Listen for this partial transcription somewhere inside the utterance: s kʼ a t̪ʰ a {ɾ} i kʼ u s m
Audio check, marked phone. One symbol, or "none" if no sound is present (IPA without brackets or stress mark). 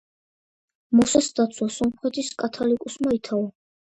l